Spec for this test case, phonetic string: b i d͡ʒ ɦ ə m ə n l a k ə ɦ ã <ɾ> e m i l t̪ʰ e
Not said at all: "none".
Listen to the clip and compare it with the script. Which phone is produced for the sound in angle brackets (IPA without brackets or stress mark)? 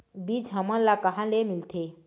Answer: l